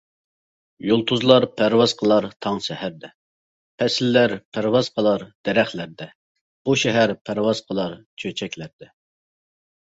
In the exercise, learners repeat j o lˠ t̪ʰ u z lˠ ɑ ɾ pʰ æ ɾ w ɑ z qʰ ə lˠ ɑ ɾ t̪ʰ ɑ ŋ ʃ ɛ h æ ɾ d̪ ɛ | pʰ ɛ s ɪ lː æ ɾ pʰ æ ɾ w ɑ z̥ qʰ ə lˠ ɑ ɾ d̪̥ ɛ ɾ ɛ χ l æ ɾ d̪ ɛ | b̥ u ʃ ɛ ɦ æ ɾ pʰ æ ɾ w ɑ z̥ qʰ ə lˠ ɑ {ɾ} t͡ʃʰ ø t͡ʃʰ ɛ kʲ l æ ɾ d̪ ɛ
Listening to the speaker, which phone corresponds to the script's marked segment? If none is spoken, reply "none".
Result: ɾ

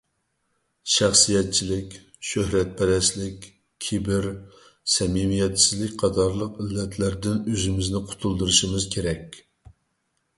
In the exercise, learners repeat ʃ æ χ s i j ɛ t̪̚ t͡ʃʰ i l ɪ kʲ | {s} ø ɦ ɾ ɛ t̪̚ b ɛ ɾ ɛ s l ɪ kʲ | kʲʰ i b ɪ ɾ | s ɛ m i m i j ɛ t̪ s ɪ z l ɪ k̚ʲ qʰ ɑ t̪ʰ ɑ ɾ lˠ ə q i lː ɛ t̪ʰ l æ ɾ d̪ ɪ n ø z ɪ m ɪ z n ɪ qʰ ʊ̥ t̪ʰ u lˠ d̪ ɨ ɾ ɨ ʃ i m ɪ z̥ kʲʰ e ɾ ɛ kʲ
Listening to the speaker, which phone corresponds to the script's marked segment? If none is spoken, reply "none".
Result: ʃ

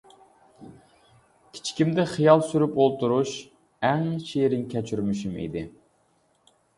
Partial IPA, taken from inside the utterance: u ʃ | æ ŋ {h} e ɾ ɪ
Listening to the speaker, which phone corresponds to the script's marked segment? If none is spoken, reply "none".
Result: ʃ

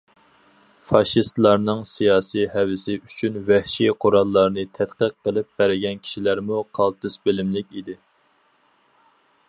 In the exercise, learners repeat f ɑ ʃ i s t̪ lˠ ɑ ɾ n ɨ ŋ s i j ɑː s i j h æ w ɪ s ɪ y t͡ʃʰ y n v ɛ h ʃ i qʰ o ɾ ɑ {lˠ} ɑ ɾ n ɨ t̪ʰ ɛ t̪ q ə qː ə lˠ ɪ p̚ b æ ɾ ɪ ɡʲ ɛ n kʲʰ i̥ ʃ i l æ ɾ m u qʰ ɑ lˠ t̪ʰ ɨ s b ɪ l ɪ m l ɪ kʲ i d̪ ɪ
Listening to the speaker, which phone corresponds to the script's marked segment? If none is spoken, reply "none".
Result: lˠː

